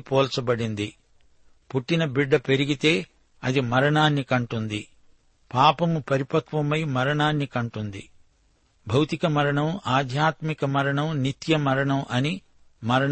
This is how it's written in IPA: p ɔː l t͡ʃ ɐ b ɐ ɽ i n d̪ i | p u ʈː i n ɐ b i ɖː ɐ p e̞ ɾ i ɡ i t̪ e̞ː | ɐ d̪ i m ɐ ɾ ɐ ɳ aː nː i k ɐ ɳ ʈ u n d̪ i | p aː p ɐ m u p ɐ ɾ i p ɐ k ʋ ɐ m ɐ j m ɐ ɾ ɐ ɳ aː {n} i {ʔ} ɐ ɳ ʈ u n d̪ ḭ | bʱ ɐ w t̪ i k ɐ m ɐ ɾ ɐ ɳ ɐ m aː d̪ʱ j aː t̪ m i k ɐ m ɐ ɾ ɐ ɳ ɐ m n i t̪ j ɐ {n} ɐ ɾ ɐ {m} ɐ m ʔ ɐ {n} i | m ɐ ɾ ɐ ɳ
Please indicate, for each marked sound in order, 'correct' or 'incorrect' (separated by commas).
incorrect, incorrect, incorrect, incorrect, correct